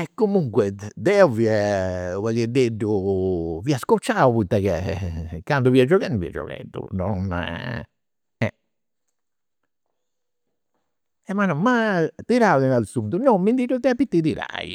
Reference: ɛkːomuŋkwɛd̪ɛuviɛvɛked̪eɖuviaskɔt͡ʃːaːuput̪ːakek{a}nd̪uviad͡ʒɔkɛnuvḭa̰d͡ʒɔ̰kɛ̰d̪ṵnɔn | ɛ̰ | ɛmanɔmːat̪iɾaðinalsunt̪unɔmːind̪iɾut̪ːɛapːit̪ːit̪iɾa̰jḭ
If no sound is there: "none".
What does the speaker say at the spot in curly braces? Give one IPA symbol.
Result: a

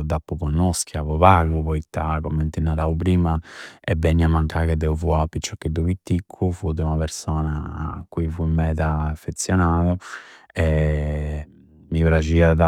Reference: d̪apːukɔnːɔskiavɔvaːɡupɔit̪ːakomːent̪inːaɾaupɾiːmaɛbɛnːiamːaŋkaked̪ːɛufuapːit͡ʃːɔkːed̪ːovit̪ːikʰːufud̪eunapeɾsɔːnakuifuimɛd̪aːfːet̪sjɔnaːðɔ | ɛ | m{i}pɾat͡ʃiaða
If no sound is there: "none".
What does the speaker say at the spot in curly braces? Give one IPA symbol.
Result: i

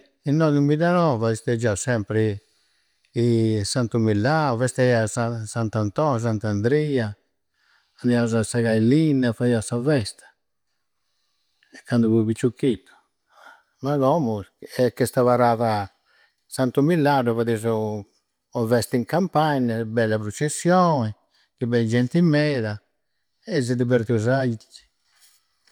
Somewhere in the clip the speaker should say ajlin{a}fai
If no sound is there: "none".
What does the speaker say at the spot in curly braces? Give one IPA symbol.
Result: a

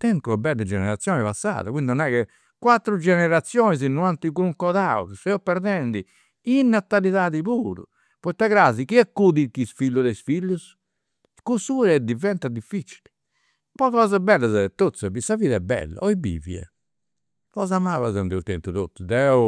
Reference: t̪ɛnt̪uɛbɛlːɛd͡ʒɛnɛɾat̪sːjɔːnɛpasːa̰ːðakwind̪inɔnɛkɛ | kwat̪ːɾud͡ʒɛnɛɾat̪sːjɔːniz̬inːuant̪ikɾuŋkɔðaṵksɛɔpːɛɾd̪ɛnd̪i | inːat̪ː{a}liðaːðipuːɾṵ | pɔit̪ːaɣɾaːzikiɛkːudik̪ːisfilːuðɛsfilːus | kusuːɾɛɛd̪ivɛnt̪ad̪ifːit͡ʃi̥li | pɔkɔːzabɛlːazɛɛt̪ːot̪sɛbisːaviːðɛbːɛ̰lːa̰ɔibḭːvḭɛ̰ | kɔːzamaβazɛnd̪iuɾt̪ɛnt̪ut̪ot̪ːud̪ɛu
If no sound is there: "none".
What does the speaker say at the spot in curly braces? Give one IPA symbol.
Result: a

